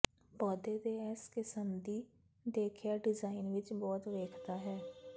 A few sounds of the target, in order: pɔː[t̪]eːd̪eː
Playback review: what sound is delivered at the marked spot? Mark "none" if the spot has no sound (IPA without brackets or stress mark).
d̪